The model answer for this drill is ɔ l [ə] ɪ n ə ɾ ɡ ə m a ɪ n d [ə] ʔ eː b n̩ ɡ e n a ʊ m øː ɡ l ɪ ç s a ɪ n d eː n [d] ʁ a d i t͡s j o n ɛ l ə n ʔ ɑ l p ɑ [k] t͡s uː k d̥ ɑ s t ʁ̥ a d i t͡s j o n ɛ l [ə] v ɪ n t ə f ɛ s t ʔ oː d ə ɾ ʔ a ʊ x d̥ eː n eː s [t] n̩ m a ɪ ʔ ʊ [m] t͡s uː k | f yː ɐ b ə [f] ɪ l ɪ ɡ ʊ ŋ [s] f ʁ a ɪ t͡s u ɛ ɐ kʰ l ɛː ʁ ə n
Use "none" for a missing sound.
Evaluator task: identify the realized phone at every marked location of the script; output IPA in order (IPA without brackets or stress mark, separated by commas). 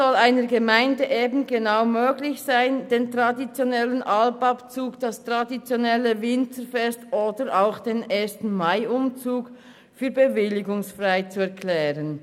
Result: a, ə, t, p, ə, t, m, v, s